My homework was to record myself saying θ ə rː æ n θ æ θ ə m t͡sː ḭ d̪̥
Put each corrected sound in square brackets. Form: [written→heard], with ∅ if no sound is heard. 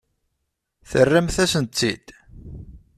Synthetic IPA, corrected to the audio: θ ə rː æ [n→m] θ æ [θ→s] ə [m→n] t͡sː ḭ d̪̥